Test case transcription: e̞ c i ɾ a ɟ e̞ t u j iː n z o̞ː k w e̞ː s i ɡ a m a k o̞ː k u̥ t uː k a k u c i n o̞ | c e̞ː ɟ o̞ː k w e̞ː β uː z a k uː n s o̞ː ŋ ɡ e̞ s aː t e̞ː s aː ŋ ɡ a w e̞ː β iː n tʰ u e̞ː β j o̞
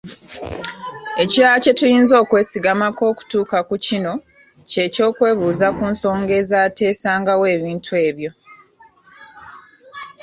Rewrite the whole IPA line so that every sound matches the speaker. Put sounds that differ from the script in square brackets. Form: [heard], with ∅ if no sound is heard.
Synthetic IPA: e̞ c i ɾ a [c] e̞ t u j iː n z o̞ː k w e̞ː s i ɡ a m a k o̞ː k u̥ t uː k a k u c i n o̞ | c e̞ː [c] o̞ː k w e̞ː β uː z a k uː n s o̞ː ŋ ɡ e̞ [z] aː t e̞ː s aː ŋ ɡ a w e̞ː β iː n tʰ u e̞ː β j o̞